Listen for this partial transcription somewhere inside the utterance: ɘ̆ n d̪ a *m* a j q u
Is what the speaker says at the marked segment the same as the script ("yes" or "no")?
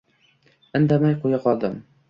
yes